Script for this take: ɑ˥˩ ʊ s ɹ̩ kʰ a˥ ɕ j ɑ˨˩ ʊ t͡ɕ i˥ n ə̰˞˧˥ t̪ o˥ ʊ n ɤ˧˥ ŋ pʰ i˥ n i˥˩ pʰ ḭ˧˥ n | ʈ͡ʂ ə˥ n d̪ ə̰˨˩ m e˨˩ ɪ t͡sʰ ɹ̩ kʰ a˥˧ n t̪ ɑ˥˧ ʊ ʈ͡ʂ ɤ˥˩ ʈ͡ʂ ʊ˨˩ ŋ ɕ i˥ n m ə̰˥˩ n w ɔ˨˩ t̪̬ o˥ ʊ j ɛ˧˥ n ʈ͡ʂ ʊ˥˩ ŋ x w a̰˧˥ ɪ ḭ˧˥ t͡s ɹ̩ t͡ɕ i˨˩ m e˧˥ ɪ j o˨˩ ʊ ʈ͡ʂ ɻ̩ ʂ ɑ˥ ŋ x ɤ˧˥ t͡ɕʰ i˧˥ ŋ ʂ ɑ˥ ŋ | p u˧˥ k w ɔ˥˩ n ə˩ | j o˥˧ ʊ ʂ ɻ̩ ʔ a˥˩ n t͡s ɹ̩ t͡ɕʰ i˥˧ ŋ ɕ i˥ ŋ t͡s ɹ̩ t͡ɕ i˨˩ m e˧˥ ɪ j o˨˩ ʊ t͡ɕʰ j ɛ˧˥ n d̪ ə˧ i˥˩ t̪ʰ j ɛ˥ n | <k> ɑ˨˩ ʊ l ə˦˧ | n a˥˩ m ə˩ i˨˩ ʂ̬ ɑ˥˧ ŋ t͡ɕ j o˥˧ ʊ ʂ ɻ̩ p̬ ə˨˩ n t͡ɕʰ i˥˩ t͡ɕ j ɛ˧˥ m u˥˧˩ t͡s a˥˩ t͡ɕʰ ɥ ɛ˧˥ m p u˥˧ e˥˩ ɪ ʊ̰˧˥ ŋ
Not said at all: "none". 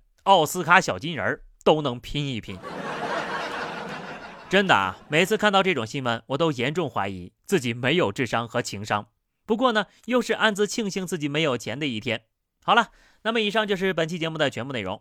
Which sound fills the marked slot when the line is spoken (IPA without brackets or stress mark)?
x